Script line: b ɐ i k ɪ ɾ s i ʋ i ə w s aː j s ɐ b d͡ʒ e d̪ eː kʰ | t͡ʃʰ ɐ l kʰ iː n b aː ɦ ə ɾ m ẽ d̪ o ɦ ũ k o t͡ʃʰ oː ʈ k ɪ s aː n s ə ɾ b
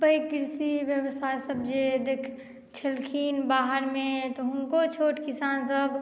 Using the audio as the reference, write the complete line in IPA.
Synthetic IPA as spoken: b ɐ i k ɪ ɾ s i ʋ j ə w s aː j s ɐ b d͡ʒ e d̪ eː kʰ | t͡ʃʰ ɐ l kʰ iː n b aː ɦ ə ɾ m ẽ t̪ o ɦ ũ k o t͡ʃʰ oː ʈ k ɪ s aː n s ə b